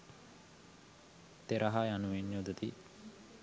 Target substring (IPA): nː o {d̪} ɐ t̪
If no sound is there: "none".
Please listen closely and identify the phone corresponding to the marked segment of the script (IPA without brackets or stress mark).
d̪